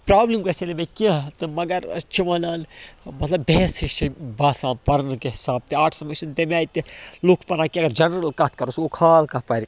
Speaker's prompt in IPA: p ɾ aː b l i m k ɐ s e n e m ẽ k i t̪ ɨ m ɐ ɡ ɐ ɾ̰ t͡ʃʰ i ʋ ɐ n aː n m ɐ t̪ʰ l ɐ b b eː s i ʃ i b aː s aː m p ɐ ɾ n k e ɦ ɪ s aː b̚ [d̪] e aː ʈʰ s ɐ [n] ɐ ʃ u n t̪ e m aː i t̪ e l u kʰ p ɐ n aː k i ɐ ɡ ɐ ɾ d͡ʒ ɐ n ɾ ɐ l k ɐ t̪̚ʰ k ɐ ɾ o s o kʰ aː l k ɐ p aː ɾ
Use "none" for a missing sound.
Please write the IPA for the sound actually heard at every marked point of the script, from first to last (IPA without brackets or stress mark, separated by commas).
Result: t̪, m